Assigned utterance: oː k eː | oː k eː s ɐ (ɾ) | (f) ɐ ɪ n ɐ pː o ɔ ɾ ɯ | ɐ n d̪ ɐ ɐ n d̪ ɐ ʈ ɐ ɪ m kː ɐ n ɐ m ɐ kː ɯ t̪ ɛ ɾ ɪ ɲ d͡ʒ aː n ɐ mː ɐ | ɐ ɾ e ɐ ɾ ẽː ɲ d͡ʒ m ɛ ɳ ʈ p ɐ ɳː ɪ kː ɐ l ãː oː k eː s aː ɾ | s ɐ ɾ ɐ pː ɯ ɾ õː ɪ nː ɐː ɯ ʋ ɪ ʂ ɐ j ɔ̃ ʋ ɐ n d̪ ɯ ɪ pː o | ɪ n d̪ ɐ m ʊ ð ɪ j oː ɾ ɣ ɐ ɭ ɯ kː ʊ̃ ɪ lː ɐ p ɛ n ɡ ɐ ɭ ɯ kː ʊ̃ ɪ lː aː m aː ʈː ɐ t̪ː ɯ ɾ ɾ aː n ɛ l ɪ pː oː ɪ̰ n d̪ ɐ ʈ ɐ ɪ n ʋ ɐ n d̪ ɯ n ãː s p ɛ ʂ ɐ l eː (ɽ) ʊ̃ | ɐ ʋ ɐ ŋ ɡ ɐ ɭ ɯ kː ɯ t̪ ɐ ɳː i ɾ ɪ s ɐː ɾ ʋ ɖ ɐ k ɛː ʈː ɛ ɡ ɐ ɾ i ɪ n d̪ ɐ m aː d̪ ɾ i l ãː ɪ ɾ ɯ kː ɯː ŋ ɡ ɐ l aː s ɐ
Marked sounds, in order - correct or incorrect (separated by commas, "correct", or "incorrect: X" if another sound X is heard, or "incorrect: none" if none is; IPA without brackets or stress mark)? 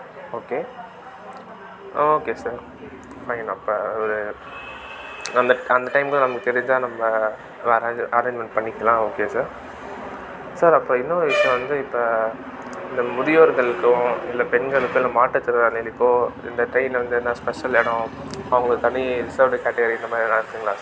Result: correct, correct, correct